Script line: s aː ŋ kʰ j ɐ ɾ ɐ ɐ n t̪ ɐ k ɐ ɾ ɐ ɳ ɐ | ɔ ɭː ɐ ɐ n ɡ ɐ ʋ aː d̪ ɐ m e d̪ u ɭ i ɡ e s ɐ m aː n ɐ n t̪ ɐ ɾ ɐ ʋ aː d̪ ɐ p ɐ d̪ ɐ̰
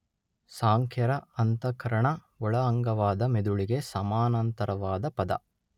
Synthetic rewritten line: s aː ŋ kʰ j ɐ ɾ ɐ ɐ n t̪ ɐ k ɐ ɾ ɐ ɳ ɐ | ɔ ɭ ɐ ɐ ŋ ɡ ɐ ʋ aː d̪ ɐ m e d̪ u ɭ i ɡ e s ɐ m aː n ɐ n t̪ ɐ ɾ ɐ ʋ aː d̪ ɐ p ɐ d̪ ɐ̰